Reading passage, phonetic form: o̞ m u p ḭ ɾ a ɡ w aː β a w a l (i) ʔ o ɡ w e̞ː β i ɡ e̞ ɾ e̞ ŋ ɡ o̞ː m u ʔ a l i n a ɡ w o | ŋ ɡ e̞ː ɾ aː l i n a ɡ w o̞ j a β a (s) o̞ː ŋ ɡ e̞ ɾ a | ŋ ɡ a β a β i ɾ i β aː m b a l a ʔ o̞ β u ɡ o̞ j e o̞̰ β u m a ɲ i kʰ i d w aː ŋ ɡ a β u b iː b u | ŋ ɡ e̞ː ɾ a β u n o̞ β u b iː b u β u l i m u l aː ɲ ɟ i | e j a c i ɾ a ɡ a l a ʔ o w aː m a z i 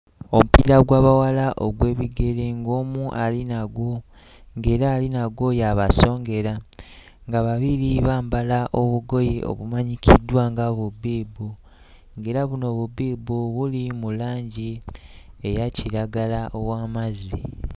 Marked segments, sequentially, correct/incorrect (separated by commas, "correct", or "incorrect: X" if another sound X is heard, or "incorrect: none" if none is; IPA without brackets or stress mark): incorrect: a, correct